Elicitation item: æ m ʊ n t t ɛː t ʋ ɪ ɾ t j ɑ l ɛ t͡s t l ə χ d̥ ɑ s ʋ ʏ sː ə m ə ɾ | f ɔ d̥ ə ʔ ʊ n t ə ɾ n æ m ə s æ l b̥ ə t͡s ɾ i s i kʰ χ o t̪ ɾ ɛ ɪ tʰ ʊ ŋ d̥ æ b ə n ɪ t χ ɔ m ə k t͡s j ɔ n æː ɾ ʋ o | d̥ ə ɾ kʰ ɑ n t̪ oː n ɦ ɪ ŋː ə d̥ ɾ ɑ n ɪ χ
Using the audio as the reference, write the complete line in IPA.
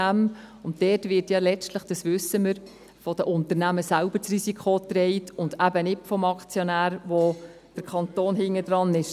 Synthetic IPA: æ m ʊ n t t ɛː t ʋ ɪ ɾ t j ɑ l ɛ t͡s t l ə χ d̥ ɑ s ʋ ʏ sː ə m ə ɾ | f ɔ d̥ ə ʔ ʊ n t ə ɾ n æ m ə s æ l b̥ ə t͡s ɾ i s i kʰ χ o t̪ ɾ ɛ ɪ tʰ ʊ n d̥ æ b ə n ɪ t f ɔ m ɑ k t͡s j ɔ n æː ɾ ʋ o | d̥ ə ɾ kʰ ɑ n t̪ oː n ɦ ɪ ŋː ə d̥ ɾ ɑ n ɪ ʃ